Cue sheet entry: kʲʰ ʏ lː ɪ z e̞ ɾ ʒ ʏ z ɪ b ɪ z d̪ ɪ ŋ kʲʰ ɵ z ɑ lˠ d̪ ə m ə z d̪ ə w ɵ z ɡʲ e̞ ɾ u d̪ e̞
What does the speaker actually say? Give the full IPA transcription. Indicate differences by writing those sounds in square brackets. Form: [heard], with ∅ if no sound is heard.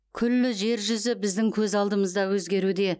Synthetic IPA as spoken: kʲʰ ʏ lː ɪ [ʒ] e̞ ɾ ʒ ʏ z ɪ b ɪ z d̪ ɪ ŋ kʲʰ ɵ z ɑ lˠ d̪ ə m ə z d̪ [ɑ] w ɵ z ɡʲ e̞ ɾ u d̪ e̞